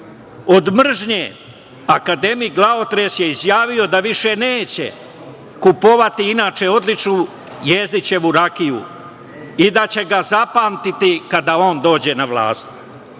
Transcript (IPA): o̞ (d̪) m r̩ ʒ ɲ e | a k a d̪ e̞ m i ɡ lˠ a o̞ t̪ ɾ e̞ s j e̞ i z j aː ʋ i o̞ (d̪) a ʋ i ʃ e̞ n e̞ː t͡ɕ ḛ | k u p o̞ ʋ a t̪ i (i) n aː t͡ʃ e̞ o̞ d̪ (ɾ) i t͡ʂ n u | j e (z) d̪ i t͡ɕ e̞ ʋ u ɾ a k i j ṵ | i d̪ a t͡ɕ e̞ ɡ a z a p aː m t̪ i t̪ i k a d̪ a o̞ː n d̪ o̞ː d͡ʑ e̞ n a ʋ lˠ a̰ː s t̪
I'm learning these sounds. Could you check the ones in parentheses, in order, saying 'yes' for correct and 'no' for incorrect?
yes, yes, yes, no, yes

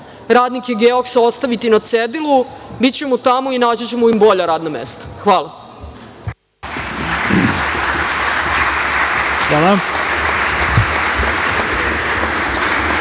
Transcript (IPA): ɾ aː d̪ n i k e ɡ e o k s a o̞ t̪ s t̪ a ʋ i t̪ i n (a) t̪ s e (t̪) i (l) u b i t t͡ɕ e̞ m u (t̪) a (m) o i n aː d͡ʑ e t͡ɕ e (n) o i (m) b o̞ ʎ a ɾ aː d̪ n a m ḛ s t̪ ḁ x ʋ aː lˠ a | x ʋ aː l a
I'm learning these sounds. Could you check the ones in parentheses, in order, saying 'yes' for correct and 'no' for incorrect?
yes, no, yes, yes, yes, no, yes

